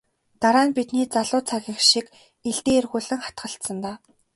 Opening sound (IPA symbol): t̪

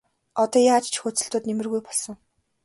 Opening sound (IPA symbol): ɔ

